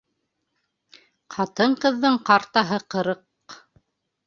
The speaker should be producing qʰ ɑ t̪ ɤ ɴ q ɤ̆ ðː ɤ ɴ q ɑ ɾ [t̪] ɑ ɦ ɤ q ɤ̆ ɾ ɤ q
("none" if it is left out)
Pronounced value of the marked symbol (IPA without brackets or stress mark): t̪